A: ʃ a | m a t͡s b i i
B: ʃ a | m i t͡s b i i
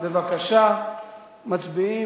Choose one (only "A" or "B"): A